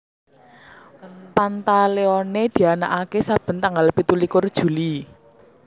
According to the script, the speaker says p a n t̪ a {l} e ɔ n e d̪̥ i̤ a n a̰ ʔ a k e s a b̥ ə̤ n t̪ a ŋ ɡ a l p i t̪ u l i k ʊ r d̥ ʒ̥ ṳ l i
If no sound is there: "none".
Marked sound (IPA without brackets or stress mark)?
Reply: l